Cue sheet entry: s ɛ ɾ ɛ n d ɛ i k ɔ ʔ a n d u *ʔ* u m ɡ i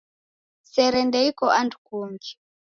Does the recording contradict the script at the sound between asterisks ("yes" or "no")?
yes